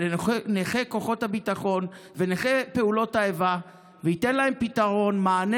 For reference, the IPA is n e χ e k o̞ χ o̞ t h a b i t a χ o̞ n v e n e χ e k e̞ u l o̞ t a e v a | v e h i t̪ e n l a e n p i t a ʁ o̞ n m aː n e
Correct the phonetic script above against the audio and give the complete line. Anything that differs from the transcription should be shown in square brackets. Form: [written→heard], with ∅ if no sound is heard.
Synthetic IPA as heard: n e χ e k o̞ χ o̞ t h a b i t a χ o̞ n v e n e χ e [k→p] e̞ u l o̞ t a e v a | v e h i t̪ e n l a e [n→m] p i t a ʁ o̞ n m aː n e